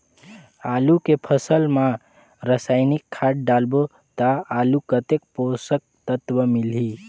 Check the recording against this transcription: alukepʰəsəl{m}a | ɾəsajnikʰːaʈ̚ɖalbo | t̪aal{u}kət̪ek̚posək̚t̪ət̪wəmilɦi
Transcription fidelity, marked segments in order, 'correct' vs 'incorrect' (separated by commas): correct, correct